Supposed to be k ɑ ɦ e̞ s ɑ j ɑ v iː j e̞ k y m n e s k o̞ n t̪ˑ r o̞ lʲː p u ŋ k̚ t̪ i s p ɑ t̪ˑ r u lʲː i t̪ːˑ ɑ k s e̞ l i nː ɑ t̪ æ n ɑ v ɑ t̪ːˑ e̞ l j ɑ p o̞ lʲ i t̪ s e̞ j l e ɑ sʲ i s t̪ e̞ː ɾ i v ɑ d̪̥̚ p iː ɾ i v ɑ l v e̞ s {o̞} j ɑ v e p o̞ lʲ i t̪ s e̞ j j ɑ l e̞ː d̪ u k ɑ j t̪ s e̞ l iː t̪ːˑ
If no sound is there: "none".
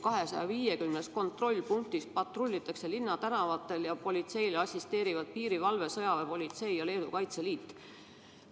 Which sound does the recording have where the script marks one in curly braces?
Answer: ɤ̞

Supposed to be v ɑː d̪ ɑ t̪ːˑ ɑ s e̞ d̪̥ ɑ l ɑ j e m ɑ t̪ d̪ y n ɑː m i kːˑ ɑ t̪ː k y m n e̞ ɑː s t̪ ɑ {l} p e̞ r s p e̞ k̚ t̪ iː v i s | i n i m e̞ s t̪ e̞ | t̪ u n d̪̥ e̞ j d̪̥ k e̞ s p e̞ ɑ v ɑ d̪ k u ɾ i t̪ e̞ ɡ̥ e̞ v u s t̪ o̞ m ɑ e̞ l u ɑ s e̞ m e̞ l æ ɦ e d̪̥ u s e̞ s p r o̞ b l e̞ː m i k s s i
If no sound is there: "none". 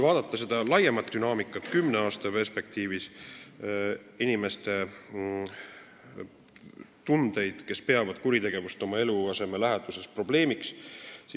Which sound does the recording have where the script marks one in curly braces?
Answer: none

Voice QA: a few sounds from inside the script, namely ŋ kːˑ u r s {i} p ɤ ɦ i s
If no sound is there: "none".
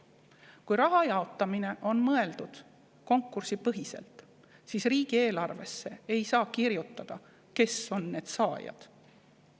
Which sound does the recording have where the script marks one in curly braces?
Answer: i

